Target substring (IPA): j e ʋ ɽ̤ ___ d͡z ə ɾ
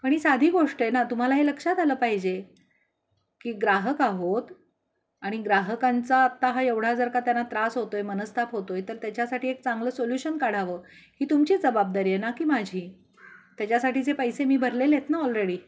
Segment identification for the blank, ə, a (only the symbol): a